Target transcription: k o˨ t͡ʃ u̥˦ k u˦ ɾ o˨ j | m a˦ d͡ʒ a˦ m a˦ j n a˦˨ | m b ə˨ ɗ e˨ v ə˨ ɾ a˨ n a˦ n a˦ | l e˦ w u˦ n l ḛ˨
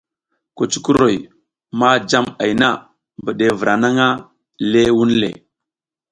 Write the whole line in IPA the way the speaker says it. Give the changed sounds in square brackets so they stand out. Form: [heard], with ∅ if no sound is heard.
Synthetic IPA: k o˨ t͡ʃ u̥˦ k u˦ ɾ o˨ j | m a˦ d͡ʒ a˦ m [a˨] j n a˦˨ | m b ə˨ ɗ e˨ v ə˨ ɾ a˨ n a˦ [ŋ] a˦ | l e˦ w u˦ n l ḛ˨